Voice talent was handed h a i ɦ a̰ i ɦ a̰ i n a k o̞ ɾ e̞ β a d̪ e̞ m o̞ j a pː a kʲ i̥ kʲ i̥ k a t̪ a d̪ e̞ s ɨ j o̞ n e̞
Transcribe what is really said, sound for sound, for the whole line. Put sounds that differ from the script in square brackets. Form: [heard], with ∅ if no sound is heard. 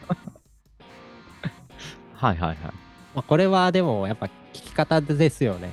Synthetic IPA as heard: h a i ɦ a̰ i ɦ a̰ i [m] a k o̞ ɾ e̞ β a d̪ e̞ m o̞ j a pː a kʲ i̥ kʲ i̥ k a t̪ a d̪ e̞ s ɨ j o̞ n e̞